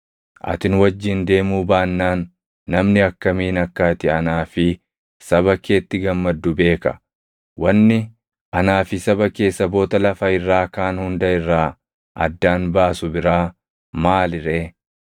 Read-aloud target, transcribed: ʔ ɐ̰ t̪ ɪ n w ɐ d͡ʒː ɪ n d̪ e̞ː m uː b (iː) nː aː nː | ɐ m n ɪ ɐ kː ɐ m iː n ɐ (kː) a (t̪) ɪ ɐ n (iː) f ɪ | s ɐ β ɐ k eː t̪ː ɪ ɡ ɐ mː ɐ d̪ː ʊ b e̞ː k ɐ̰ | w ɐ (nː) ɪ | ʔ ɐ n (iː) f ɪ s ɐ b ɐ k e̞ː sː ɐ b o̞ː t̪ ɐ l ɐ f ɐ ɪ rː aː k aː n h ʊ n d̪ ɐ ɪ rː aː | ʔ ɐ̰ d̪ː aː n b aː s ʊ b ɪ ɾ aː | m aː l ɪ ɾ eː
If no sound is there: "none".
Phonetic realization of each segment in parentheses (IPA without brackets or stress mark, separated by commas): aː, kː, t̪, aː, nː, aː